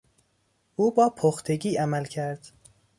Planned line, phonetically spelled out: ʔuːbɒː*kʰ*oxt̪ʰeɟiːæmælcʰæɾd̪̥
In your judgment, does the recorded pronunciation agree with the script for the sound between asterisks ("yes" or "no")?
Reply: no